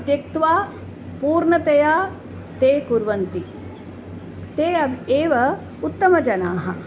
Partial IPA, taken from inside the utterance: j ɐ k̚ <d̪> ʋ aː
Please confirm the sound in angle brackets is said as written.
no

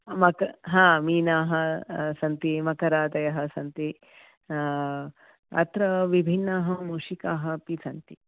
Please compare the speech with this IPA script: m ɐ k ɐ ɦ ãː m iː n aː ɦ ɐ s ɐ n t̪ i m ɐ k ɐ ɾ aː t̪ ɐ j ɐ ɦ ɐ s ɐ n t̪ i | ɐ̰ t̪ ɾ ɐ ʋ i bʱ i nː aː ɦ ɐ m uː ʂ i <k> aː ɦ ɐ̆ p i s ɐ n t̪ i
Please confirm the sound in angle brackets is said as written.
yes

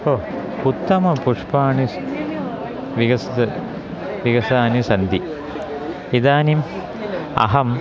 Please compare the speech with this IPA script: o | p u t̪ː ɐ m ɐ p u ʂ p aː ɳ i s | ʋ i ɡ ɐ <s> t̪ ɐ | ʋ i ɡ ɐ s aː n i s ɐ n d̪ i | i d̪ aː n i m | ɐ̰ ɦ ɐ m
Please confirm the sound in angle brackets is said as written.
yes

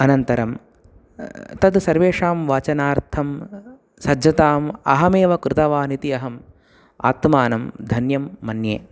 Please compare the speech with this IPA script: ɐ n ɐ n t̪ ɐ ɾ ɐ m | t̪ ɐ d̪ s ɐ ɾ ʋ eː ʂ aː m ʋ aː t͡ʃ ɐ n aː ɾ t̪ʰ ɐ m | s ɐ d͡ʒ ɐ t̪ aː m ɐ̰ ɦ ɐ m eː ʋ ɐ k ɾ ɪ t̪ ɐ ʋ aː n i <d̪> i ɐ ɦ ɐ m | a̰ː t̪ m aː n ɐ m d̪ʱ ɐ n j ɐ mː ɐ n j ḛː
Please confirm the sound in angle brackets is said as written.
no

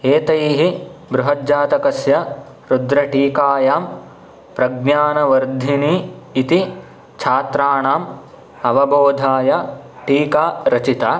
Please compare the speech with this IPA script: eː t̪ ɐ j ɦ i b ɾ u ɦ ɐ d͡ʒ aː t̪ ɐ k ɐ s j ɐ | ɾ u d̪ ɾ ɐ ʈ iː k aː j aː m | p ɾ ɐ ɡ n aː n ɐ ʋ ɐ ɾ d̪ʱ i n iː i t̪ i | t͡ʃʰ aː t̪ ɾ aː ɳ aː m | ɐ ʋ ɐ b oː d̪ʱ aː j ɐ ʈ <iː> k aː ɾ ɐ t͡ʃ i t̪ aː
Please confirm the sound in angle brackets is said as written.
yes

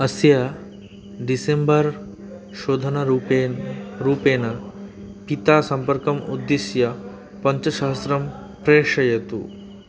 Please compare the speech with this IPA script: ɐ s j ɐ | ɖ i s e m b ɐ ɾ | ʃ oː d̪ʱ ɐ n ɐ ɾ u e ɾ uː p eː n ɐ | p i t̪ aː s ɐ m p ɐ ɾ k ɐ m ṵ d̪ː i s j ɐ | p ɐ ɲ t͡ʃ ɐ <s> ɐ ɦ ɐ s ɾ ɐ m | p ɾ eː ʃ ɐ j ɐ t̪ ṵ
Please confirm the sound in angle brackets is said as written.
no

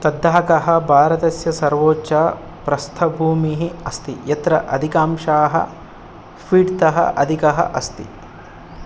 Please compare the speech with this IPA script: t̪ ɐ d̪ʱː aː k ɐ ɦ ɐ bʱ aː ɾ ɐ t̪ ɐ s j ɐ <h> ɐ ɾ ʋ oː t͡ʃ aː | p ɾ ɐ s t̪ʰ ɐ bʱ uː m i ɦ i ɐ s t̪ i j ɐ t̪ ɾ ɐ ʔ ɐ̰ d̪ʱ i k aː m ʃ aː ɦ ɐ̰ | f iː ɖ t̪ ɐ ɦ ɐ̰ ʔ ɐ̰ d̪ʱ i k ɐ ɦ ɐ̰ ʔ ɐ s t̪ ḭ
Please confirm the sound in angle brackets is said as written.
no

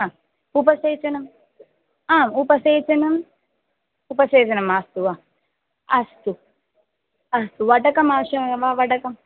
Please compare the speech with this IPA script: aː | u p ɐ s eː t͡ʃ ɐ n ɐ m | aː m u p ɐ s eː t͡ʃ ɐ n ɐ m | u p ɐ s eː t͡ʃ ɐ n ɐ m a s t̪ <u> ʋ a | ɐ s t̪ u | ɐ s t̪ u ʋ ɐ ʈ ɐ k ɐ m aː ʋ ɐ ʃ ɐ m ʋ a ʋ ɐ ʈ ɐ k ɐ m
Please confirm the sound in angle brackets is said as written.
yes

